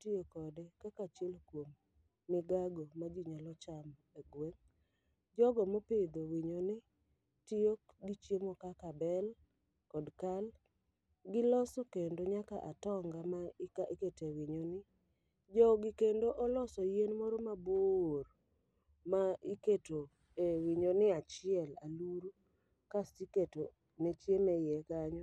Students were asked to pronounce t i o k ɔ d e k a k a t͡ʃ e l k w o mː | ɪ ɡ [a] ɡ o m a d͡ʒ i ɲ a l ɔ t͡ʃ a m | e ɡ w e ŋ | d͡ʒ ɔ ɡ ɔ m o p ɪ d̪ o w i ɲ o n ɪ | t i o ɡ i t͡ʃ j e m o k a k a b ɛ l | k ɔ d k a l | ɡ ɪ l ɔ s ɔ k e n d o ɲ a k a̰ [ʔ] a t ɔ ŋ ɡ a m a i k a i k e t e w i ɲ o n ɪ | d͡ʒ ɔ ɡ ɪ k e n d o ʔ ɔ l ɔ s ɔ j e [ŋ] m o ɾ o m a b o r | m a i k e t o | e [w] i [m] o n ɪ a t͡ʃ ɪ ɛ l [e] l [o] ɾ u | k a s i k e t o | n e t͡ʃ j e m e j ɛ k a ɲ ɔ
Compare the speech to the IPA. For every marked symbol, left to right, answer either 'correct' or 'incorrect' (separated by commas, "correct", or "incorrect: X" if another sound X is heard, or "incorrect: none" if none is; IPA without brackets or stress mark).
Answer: correct, correct, incorrect: n, correct, incorrect: ɲ, incorrect: a, incorrect: u